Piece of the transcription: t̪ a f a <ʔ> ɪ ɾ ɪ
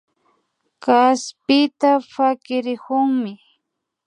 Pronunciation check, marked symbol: incorrect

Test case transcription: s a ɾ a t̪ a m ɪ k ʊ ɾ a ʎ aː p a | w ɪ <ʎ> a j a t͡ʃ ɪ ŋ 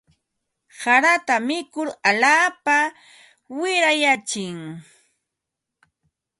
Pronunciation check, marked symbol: incorrect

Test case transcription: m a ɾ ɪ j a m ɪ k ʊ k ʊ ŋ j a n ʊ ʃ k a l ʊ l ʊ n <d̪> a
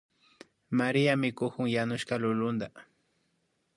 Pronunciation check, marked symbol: correct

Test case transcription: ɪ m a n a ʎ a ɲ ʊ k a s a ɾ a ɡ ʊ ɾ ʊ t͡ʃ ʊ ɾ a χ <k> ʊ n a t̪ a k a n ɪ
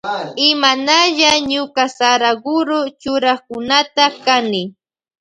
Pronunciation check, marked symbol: correct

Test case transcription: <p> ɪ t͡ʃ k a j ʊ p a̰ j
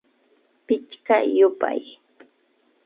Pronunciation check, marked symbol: correct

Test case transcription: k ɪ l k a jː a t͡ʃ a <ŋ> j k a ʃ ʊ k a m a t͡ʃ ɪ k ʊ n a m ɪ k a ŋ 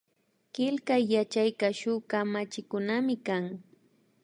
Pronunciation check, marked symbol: incorrect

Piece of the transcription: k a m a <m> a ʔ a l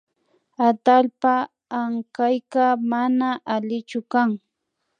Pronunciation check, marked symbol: incorrect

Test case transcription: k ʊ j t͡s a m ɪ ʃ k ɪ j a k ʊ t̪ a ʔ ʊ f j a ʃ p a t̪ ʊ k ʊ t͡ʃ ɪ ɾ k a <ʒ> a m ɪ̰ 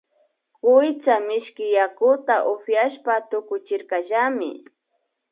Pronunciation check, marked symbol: correct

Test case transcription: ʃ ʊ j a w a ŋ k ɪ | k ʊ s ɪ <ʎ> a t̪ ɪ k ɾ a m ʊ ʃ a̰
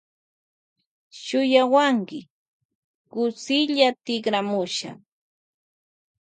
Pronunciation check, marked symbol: correct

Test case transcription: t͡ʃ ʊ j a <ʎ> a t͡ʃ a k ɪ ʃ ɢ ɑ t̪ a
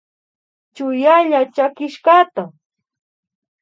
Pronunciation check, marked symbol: correct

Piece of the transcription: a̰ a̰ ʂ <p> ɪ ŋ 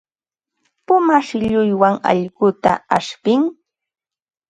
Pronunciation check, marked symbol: correct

